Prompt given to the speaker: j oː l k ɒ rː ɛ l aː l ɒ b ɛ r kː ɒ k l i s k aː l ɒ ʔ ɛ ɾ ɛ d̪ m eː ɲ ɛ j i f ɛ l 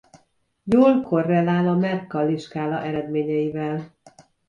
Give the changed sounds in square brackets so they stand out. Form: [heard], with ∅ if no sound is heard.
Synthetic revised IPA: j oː l k [o] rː ɛ l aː l ɒ [m] ɛ r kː ɒ [∅] l i [ʃ] k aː l ɒ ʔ ɛ ɾ ɛ d̪ m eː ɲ ɛ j i [v] ɛ l